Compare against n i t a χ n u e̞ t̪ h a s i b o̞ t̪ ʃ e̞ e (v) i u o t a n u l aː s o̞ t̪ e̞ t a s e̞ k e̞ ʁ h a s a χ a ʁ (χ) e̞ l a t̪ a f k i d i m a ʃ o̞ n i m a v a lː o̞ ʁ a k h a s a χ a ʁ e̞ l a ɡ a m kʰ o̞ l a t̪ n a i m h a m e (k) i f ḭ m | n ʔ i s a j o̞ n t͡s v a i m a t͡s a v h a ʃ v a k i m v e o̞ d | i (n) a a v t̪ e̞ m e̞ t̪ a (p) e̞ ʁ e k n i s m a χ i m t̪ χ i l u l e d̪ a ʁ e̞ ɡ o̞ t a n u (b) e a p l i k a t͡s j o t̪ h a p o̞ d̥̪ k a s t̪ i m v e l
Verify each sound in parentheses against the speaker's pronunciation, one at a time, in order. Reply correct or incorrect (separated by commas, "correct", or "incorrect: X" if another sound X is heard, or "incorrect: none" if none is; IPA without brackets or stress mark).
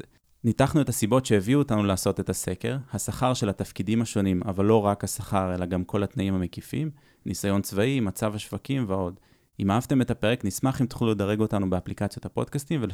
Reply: correct, incorrect: ʃ, correct, incorrect: m, correct, correct